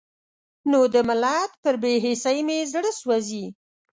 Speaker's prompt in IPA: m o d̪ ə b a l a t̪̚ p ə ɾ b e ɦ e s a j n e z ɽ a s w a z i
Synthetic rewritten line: n o d̪ ə m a l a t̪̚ p ə ɾ b e ɦ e s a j m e z ɽ ə s w a z i